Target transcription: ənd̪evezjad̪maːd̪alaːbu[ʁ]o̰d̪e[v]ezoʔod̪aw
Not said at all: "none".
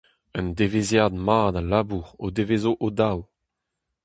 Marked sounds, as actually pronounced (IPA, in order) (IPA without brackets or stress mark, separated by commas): ʁ, v